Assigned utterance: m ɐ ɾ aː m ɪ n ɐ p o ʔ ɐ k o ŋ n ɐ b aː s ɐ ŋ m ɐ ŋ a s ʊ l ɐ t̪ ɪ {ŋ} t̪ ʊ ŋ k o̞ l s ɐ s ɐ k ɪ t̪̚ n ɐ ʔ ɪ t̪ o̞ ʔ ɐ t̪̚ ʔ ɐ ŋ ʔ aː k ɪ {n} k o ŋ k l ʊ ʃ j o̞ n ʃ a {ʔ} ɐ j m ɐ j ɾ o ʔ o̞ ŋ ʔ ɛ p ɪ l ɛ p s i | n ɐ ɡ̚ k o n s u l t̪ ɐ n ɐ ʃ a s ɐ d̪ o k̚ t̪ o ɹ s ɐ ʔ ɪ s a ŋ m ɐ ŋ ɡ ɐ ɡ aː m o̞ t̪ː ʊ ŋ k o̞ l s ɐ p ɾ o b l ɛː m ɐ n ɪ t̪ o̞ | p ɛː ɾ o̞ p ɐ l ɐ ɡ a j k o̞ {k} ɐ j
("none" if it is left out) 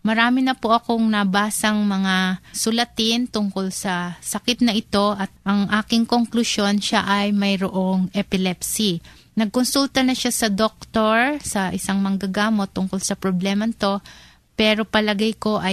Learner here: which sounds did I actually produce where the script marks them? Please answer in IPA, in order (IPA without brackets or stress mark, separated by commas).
n, ŋ, ʔ, ʔ